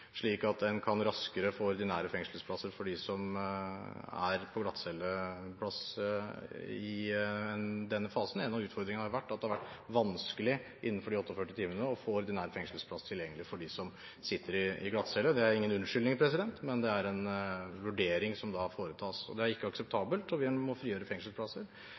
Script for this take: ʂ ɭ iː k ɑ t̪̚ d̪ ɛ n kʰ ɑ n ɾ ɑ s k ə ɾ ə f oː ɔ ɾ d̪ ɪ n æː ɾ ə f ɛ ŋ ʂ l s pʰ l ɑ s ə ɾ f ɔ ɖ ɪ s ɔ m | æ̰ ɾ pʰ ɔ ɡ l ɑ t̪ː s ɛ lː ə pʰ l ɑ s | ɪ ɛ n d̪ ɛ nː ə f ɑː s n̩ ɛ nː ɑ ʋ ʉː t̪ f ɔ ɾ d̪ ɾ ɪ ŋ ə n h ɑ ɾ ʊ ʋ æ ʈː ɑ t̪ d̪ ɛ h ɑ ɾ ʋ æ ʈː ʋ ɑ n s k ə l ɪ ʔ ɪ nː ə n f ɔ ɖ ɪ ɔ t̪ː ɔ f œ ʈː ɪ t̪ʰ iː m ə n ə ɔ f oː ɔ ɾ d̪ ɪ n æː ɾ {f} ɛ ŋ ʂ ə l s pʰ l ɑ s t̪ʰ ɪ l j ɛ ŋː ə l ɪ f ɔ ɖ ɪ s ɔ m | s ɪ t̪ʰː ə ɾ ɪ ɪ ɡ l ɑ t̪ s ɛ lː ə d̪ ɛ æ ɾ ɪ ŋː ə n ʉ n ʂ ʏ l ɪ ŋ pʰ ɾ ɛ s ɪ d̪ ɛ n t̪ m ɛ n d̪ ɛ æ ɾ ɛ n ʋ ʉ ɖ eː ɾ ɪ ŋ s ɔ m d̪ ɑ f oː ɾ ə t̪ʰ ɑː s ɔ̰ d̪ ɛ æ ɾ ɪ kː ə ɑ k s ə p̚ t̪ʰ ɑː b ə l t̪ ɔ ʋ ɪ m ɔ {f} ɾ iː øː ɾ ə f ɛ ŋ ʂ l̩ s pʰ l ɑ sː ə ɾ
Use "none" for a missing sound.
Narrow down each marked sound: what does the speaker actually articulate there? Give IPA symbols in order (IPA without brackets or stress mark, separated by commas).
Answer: f, f